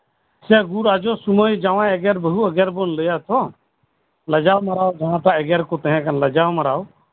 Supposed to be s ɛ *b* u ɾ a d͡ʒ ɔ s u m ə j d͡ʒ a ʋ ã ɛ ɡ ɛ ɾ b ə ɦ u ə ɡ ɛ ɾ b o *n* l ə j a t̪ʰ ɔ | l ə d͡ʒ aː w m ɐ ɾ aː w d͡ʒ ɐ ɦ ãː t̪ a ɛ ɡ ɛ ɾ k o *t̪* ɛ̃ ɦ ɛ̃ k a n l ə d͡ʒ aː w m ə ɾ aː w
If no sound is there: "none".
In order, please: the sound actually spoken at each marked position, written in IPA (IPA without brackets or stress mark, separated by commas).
ɡ, n, t̪